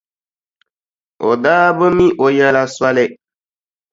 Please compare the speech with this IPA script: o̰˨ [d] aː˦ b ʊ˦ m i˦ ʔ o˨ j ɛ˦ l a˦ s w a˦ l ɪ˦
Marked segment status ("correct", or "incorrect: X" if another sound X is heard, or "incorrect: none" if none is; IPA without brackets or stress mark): correct